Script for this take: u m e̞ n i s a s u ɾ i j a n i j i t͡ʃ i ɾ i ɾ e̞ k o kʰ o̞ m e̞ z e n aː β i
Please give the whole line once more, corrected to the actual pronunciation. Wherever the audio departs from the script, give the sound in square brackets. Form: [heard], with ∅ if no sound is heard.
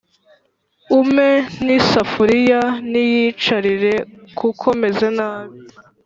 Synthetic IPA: u m e̞ n i s a [f] u ɾ i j a n i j i t͡ʃ [a] ɾ i ɾ e̞ k [u] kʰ o̞ m e̞ z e n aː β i